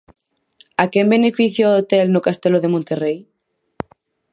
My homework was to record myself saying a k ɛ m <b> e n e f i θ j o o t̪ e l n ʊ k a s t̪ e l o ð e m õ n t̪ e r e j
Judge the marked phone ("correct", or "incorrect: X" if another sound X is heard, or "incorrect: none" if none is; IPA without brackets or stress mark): correct